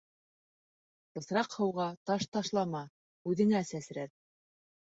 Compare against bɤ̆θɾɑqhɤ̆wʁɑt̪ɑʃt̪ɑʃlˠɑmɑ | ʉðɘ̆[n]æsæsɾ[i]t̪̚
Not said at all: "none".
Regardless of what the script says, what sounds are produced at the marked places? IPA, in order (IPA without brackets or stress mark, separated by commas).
ŋ, æ